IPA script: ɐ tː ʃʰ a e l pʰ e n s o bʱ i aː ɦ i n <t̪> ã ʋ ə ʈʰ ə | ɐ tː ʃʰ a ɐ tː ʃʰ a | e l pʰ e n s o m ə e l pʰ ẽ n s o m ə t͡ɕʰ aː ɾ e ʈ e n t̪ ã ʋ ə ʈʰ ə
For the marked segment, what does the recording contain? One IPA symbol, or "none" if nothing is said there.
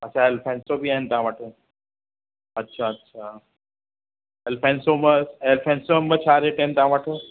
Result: t̪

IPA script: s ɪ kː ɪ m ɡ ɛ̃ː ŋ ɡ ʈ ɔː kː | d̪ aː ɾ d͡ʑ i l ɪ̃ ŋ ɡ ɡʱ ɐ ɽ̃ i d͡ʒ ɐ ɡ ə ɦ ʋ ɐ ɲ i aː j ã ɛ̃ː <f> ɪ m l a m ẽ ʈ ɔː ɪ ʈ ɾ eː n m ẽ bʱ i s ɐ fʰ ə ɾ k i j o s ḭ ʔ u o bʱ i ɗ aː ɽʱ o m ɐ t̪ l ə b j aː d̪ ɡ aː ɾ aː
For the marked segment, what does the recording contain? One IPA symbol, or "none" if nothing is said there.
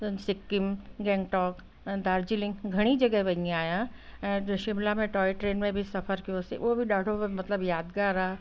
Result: ʃ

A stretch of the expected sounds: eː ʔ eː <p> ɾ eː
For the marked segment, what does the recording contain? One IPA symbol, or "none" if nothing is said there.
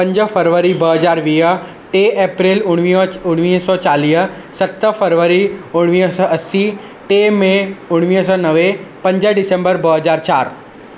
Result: p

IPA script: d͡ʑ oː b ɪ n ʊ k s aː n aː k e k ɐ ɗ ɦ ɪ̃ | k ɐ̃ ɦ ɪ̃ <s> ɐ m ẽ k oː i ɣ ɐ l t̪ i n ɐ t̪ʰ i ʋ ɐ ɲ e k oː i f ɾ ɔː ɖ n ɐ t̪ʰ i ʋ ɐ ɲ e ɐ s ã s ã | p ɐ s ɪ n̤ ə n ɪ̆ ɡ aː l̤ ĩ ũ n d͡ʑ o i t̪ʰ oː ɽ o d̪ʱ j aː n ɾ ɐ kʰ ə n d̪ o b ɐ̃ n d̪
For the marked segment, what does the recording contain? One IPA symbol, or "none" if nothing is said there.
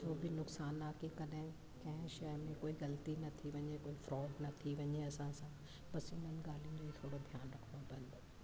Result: ʃ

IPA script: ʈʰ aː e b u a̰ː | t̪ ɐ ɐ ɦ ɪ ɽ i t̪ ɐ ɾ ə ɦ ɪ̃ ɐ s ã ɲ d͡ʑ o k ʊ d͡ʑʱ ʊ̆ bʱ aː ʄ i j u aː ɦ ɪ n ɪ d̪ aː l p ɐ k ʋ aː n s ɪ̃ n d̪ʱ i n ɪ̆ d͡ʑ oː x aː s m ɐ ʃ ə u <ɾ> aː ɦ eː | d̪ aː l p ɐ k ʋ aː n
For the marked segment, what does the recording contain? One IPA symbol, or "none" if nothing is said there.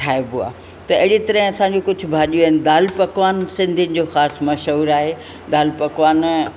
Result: ɾ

